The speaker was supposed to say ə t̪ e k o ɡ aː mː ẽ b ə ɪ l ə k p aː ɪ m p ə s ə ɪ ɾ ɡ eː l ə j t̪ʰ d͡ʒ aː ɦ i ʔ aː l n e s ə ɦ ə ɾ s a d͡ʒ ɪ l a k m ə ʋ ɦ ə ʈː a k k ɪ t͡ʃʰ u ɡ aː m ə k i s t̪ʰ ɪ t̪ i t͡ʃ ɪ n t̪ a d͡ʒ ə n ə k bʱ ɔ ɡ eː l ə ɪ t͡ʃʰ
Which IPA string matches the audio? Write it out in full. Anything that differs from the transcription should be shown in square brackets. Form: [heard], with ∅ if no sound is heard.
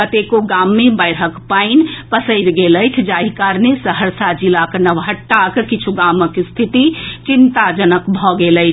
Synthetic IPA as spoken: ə t̪ e k o ɡ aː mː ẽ b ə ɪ [ɾ] ə k p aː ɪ [n] p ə s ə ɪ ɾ ɡ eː l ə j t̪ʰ d͡ʒ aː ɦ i [k] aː [ɾ] n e s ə ɦ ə ɾ s a d͡ʒ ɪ l a k [n] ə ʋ ɦ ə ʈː a k k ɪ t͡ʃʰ u ɡ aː m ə k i s t̪ʰ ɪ t̪ i t͡ʃ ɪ n t̪ a d͡ʒ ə n ə k bʱ ɔ ɡ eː l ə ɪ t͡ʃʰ